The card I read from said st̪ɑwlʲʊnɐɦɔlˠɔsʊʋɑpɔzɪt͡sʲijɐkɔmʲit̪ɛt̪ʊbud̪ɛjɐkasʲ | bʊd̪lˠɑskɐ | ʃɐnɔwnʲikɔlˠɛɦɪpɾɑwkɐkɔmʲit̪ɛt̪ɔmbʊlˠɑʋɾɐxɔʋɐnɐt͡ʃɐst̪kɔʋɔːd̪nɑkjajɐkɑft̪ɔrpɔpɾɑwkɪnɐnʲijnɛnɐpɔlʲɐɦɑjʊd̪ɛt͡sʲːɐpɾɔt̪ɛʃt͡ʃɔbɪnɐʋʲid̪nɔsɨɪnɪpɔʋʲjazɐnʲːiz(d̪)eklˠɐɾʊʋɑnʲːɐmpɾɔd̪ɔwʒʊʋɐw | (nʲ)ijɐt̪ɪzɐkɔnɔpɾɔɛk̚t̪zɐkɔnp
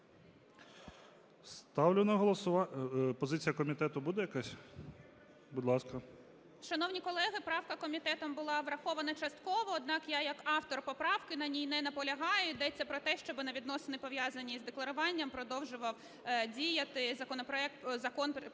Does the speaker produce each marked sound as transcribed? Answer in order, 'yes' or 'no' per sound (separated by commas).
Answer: yes, no